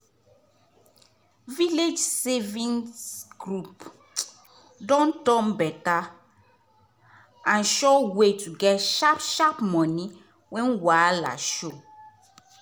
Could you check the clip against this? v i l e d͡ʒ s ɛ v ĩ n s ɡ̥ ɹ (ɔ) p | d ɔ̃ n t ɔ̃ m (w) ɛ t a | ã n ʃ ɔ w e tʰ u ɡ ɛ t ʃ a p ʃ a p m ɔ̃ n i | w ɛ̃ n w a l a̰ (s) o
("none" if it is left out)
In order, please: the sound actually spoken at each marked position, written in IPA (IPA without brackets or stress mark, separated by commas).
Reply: u, b, ʃ